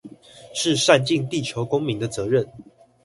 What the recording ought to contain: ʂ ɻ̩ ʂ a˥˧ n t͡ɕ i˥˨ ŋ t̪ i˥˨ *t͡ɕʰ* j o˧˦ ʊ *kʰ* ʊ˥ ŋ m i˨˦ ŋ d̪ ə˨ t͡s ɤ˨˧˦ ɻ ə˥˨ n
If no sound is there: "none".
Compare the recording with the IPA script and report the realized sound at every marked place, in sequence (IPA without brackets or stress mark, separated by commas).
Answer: t͡ɕʰ, k